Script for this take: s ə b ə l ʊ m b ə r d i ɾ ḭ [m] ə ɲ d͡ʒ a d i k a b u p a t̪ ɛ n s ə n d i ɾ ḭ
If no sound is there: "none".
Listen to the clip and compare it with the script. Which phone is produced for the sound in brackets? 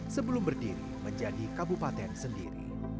m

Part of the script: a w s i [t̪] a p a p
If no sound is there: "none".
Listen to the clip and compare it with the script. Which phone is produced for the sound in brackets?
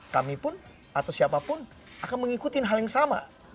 none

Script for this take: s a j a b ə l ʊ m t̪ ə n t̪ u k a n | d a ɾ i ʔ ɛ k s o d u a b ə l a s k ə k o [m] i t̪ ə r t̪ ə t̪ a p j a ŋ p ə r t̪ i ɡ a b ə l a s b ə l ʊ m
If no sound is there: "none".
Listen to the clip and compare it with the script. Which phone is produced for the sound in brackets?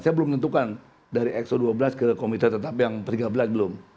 m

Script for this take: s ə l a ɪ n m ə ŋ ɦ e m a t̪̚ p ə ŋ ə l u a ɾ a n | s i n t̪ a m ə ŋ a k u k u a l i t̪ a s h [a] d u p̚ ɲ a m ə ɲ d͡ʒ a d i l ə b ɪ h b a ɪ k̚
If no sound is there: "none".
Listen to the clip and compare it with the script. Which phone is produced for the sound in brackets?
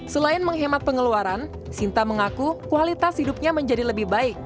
i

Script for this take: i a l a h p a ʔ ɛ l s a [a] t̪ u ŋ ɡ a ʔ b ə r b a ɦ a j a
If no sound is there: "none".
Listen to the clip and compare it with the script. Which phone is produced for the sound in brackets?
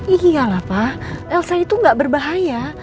i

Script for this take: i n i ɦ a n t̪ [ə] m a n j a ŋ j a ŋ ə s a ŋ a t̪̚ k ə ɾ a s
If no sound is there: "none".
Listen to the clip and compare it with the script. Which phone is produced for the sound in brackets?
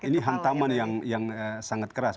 a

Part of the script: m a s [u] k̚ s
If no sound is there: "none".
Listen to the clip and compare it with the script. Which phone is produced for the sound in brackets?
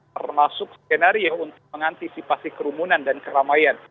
ʊ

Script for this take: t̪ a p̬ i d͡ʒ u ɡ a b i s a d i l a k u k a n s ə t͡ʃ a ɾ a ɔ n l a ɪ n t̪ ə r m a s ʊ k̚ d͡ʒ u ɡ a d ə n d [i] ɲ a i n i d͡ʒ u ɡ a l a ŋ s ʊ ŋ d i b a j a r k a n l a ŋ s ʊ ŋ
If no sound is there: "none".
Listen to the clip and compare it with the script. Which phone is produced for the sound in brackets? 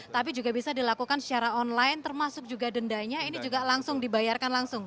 a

